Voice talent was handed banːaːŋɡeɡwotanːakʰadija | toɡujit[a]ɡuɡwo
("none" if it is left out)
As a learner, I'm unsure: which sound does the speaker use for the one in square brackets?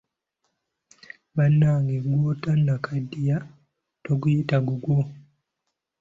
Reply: a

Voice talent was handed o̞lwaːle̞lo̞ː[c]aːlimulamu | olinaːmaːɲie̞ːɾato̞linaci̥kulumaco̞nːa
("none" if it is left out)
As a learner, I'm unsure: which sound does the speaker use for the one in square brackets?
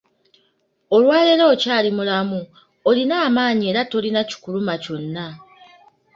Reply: c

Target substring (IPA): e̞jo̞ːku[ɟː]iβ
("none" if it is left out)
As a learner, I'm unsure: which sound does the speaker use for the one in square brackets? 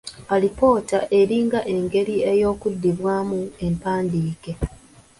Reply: dː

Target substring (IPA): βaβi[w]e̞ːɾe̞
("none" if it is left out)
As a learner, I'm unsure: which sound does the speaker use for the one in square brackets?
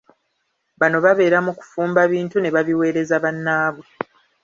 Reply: w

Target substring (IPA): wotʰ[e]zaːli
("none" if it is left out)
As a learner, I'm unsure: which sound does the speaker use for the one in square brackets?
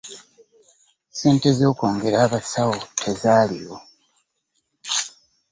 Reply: e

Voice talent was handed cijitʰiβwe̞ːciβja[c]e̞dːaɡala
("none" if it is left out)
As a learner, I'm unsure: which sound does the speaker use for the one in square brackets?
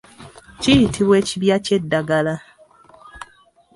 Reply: c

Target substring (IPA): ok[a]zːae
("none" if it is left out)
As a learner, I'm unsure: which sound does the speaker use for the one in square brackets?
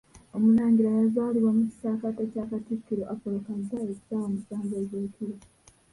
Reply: a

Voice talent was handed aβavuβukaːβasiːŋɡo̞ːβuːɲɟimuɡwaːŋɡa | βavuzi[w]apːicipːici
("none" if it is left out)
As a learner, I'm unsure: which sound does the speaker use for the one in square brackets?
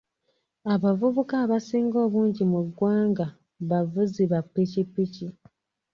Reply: β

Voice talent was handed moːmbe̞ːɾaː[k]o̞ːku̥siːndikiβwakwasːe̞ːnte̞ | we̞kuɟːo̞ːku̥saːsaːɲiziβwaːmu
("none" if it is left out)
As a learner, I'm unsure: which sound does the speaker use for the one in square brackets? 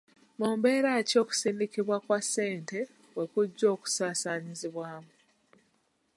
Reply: c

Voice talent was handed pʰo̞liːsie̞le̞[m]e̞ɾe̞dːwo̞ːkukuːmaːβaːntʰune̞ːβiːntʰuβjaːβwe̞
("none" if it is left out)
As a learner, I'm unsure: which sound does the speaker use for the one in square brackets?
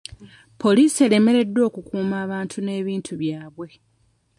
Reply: m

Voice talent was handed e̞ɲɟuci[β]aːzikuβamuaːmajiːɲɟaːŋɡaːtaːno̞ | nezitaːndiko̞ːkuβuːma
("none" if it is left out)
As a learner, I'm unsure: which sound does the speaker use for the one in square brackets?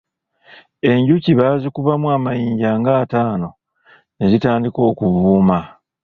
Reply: β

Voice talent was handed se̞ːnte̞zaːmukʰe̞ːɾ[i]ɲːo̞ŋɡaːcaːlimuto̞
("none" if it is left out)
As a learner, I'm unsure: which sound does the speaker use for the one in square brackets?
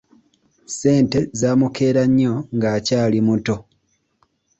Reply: a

